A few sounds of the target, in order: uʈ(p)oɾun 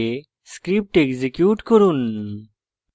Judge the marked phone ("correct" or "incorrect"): incorrect